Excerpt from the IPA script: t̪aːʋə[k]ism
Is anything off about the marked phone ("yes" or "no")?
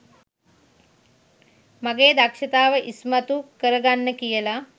yes